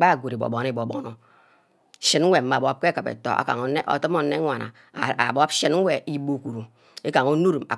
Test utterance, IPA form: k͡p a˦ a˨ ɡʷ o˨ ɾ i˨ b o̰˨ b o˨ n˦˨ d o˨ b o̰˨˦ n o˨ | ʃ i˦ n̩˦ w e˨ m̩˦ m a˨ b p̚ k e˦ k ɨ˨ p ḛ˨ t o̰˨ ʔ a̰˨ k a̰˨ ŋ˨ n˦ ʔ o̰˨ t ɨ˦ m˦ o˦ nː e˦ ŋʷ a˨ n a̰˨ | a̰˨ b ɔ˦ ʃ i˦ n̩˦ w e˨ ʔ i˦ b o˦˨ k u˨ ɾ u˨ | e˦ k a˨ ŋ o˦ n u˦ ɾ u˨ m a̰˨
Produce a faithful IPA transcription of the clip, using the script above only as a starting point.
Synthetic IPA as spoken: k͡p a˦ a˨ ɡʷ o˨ ɾ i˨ b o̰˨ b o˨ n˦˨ b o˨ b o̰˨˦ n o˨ | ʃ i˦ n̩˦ w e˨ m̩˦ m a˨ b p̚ k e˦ k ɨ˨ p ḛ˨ t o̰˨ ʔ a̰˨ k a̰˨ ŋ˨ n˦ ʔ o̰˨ t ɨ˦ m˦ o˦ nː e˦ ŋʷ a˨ n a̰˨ | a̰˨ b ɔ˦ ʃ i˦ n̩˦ w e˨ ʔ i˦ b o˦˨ k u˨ ɾ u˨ | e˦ k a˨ ŋ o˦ n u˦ ɾ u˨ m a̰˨

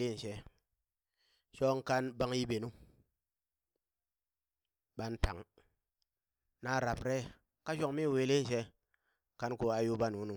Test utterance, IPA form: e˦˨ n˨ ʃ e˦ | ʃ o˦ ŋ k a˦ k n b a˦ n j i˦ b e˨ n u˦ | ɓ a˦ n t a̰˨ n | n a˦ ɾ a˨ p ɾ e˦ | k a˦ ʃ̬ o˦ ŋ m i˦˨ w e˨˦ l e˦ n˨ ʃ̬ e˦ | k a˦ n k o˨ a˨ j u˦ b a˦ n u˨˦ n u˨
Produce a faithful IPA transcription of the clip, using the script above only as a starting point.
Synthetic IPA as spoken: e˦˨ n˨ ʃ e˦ | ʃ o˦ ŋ k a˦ n b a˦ ŋ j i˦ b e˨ n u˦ | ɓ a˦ n t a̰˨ ŋ | n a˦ ɾ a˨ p ɾ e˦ | k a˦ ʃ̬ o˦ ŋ m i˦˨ w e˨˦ l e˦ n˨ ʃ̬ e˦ | k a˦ n k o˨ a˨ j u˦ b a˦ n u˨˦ n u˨

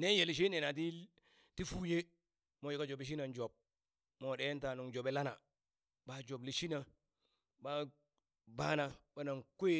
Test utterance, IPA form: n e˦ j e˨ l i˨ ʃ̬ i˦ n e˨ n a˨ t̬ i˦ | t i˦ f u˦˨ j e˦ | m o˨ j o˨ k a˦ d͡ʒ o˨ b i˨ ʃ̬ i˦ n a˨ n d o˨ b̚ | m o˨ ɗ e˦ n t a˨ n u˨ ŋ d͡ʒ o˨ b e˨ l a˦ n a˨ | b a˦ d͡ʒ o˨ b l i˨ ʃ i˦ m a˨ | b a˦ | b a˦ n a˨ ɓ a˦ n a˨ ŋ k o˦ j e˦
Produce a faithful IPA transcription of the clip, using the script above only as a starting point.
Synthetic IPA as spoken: n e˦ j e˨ l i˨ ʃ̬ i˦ n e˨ n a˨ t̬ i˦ | t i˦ f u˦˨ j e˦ | m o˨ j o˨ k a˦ d͡ʒ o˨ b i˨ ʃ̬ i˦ n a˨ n d͡ʒ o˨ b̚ | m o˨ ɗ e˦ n t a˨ n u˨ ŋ d͡ʒ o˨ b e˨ l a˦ n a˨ | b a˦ d͡ʒ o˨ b l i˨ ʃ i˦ n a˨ | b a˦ | b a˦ n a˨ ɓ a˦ n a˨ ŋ k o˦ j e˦

